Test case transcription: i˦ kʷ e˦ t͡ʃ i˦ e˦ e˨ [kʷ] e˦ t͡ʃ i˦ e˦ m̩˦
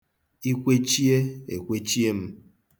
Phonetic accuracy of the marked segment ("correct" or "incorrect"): correct